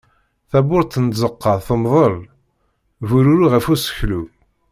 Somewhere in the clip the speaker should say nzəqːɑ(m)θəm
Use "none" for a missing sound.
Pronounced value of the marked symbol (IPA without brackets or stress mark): none